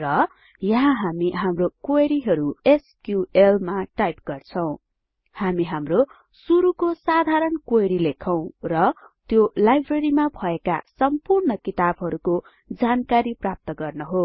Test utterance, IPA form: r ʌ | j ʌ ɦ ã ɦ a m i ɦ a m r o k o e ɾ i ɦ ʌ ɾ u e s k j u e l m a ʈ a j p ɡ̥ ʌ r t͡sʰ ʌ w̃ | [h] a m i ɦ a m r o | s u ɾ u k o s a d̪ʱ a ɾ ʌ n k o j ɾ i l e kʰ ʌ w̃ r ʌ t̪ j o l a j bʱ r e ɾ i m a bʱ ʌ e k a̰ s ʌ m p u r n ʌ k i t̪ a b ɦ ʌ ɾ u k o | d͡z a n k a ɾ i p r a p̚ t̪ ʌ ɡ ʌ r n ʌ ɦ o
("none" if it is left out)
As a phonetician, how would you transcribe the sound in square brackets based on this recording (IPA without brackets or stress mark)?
h